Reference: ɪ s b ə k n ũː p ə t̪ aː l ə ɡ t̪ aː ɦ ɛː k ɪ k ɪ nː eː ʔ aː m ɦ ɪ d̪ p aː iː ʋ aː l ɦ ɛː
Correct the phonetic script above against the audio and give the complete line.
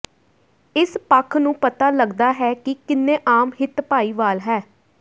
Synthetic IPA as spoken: ɪ s p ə kʰ n ũː p ə t̪ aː l ə ɡ d̪ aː ɦ ɛː k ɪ k ɪ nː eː ʔ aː m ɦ ɪ t̪ p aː iː ʋ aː l ɦ ɛː

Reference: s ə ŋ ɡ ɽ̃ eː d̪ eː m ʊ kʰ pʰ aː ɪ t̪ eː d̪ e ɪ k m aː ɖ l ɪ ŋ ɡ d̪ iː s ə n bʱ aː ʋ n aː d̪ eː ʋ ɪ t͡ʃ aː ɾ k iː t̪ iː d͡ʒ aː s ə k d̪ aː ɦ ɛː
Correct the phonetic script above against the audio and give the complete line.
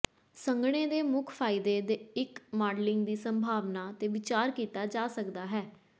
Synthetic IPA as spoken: s ə ŋ ɡ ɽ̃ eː d̪ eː m ʊ kʰ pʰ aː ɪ d̪ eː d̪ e ɪ k m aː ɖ l ɪ ŋ ɡ d̪ iː s ə m bʱ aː ʋ n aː t̪ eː ʋ ɪ t͡ʃ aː ɾ k iː t̪ aː d͡ʒ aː s ə k d̪ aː ɦ ɛː

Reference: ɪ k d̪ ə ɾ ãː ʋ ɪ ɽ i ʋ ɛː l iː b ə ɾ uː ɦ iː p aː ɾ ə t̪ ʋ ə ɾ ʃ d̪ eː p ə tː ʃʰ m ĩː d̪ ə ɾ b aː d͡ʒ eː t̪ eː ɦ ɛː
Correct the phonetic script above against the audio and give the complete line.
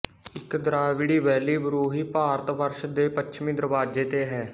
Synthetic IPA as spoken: ɪ k d̪ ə ɾ aː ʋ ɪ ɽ iː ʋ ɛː l iː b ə ɾ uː ɦ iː p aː ɾ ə t̪ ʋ ə ɾ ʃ d̪ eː p ə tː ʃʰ m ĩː d̪ ə ɾ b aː d͡ʒ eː t̪ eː ɦ ɛː

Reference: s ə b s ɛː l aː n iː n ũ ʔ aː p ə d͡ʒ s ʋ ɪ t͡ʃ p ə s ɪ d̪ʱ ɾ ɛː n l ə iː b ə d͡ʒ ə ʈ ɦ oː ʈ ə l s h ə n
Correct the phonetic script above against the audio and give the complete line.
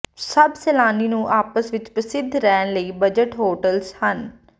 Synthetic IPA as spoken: s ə b s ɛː l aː n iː n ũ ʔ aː p ə s ʋ ɪ t͡ʃ p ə s ɪ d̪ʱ ɾ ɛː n l ə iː b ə d͡ʒ ə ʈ ɦ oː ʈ ə l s h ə n

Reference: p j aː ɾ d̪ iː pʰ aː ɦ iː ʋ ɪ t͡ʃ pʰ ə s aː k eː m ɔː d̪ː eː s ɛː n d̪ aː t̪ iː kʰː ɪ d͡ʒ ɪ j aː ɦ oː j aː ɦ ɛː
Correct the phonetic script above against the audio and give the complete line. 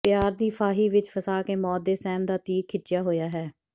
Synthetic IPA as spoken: p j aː ɾ d̪ iː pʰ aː ɦ iː ʋ ɪ t͡ʃ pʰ ə s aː k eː m ɔː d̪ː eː s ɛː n d̪ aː t̪ iː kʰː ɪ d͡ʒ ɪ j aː ɦ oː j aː ɦ ɛː

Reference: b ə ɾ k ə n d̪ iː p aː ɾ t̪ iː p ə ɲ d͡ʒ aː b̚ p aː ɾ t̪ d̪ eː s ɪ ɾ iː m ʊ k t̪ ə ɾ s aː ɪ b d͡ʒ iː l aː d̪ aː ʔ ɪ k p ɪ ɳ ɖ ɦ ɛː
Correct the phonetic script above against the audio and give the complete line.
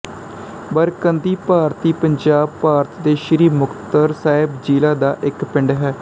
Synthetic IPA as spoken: b ə ɾ k ə n d̪ iː p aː ɾ t̪ iː p ə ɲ d͡ʒ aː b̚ p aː ɾ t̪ d̪ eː ʃ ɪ ɾ iː m ʊ k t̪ ə ɾ s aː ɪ b d͡ʒ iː l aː d̪ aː ʔ ɪ k p ɪ ɳ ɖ ɦ ɛː

